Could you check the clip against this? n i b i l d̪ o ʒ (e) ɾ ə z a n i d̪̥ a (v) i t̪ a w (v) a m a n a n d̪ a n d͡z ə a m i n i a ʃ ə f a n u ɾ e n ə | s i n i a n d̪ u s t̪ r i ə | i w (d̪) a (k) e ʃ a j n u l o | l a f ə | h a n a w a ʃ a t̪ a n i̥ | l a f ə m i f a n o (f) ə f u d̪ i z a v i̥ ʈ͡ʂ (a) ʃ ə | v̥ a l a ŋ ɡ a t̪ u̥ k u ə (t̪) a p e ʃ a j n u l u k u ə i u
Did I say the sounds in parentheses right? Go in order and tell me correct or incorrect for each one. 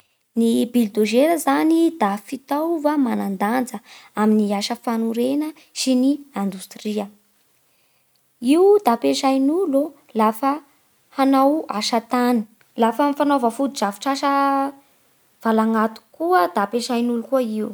correct, incorrect: f, correct, correct, incorrect: p, incorrect: v, correct, incorrect: d̪

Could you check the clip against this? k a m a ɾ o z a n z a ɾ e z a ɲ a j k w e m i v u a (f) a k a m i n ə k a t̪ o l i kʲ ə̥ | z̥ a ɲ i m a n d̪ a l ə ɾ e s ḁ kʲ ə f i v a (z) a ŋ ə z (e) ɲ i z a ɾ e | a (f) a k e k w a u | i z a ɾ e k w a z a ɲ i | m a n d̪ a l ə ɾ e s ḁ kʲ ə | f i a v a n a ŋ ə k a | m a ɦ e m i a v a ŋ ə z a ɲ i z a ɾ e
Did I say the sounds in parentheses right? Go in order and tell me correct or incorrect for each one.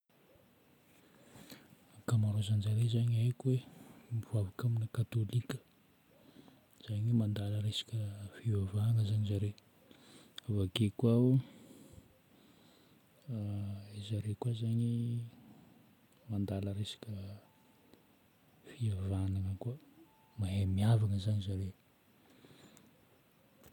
incorrect: v, incorrect: v, incorrect: a, incorrect: v

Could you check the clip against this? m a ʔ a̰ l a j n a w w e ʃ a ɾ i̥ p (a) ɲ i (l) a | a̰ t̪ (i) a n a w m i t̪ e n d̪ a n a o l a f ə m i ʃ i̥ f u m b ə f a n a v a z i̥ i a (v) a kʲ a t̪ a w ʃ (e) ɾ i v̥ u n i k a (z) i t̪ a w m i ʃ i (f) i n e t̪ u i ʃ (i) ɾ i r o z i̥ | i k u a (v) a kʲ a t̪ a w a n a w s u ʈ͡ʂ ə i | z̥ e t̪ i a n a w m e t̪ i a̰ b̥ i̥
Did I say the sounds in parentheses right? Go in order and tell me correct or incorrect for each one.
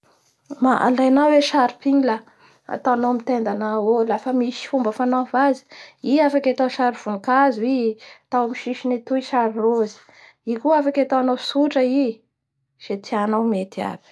incorrect: i, correct, incorrect: a, incorrect: f, incorrect: a, correct, incorrect: ʃ, incorrect: a, incorrect: f

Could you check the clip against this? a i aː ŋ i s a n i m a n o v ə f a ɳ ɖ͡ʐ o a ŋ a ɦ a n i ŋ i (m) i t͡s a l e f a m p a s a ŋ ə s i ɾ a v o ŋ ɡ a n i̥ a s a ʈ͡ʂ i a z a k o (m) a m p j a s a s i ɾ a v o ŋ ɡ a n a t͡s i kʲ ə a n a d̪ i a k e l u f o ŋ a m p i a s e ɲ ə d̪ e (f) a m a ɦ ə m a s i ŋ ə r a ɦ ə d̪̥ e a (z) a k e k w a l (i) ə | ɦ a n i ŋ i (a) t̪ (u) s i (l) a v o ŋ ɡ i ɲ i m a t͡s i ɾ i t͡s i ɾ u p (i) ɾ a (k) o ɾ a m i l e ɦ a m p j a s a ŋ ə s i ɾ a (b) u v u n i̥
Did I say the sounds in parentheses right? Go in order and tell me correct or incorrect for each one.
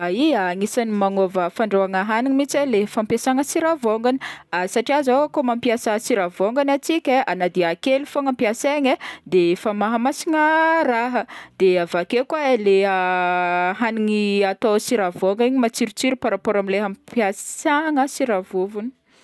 correct, correct, correct, incorrect: v, incorrect: e, correct, incorrect: o, incorrect: ɾ, incorrect: a, incorrect: p, incorrect: v

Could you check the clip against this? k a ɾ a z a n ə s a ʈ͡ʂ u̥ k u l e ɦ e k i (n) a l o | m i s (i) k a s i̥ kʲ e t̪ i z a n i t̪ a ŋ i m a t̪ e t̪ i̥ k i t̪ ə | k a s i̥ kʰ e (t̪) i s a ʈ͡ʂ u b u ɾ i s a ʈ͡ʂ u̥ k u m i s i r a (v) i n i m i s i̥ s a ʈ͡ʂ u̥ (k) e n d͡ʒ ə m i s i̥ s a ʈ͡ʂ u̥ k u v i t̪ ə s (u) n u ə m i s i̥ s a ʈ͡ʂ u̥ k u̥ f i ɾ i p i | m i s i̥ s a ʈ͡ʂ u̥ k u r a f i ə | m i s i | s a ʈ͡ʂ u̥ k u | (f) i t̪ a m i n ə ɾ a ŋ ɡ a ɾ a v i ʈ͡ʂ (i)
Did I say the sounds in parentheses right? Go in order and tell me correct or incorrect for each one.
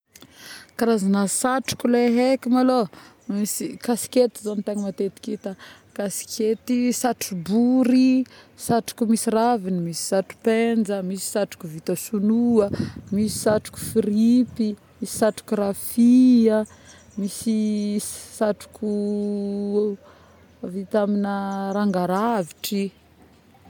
incorrect: m, correct, correct, correct, incorrect: p, correct, incorrect: v, correct

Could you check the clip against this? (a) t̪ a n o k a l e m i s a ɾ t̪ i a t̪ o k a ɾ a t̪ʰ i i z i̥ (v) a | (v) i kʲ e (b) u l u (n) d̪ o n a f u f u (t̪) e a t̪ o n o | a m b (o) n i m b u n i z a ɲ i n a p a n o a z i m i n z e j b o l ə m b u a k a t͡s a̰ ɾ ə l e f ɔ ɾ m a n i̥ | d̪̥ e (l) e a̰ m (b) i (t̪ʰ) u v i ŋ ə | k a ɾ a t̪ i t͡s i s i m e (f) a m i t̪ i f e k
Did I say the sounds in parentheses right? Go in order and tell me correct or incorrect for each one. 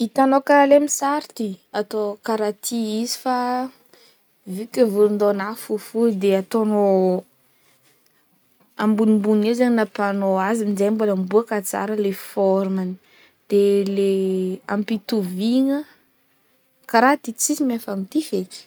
incorrect: i, incorrect: f, correct, incorrect: v, correct, incorrect: d̪, incorrect: u, correct, incorrect: p, incorrect: t̪, correct

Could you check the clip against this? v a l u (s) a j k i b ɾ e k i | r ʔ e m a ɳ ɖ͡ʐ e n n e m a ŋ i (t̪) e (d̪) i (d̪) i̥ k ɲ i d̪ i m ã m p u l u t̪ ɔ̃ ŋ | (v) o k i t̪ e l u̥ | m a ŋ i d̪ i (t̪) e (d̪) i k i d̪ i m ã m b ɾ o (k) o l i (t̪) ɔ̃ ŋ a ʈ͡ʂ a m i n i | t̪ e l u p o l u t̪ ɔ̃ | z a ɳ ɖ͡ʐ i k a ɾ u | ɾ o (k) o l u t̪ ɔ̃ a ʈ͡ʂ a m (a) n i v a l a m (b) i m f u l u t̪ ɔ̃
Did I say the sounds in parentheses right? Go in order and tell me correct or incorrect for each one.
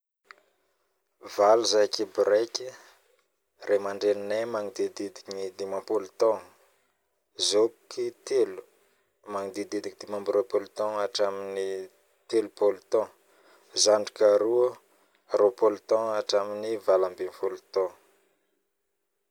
incorrect: z, incorrect: d̪, correct, correct, incorrect: z, incorrect: d̪, correct, incorrect: p, correct, incorrect: p, incorrect: i, correct

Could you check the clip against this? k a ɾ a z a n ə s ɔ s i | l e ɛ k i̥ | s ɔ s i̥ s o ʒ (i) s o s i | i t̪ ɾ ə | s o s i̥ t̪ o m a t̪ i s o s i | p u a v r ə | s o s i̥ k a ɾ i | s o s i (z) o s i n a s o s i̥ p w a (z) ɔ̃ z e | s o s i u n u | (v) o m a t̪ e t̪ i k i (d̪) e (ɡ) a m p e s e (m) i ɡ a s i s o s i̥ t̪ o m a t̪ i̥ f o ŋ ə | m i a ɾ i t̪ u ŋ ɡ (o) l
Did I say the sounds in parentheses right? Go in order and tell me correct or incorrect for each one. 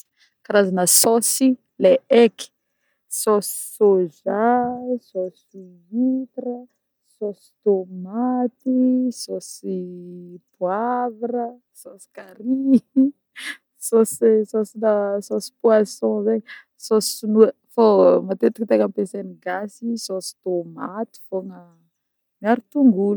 incorrect: a, incorrect: s, incorrect: s, incorrect: f, incorrect: t̪, incorrect: k, incorrect: n, incorrect: u

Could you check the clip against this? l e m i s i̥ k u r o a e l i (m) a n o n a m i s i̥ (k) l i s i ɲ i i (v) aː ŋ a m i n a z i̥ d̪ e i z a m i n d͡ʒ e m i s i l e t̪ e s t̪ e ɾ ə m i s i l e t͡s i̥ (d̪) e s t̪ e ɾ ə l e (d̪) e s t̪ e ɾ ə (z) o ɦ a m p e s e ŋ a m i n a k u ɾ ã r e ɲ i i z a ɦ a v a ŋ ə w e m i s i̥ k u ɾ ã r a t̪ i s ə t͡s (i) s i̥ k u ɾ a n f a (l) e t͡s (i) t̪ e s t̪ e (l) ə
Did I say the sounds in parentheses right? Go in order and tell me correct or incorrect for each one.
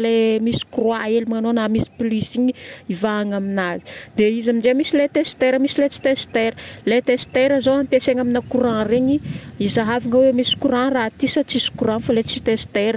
correct, incorrect: p, correct, incorrect: t̪, incorrect: t̪, correct, correct, correct, correct, incorrect: ɾ

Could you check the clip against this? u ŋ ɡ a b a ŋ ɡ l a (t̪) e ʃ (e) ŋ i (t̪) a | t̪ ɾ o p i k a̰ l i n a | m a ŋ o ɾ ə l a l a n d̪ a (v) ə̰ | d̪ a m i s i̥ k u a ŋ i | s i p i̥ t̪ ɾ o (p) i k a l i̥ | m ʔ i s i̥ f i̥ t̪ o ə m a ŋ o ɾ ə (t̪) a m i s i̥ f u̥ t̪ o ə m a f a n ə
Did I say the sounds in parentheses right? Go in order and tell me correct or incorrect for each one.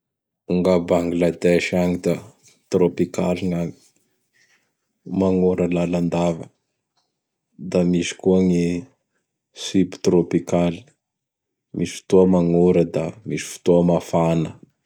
incorrect: d̪, incorrect: a, incorrect: d̪, correct, correct, incorrect: d̪

